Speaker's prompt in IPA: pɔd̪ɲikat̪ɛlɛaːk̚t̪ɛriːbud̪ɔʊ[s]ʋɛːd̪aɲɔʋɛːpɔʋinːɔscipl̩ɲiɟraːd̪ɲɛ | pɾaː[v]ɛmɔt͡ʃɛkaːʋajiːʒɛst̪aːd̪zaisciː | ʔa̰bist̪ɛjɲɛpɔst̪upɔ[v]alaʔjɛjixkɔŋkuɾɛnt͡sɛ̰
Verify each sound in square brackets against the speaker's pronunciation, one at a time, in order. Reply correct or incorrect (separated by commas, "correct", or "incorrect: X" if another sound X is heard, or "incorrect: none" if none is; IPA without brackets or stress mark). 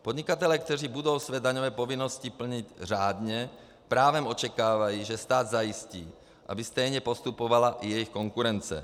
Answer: correct, incorrect: ʋ, incorrect: ʋ